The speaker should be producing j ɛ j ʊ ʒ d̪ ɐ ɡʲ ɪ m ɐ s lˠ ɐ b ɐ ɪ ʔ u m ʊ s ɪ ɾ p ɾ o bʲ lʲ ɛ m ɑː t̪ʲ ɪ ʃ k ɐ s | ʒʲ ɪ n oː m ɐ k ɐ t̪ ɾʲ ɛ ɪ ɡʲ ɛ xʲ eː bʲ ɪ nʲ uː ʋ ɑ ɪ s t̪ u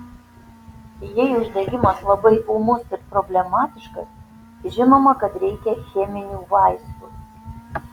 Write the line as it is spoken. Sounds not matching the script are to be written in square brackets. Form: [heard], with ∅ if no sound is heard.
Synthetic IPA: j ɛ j ʊ ʒ d̪ ɐ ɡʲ ɪ m ɐ s lˠ ɐ b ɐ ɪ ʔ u m ʊ s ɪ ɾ p ɾ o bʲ lʲ ɛ m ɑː t̪ʲ ɪ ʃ k ɐ s | ʒʲ ɪ n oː m ɐ k ɐ t̪ ɾʲ ɛ ɪ [kʲ] ɛ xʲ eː [mʲ] ɪ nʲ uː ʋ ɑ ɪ s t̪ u